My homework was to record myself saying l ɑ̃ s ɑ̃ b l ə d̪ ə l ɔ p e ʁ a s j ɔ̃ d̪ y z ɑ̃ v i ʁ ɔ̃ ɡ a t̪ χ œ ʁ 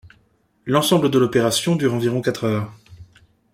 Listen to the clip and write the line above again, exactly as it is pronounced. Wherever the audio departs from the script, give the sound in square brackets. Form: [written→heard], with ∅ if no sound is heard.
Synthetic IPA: l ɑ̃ s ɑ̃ b l ə d̪ ə l ɔ p e ʁ a s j ɔ̃ d̪ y [z→ʁ] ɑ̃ v i ʁ ɔ̃ [ɡ→k] a t̪ χ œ ʁ